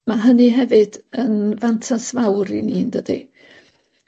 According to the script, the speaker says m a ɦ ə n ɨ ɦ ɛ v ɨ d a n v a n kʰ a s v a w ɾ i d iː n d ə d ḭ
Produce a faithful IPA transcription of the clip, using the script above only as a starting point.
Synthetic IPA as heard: m a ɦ ə n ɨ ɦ ɛ v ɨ d ə n v a n tʰ a s v a w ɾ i n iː n d ə d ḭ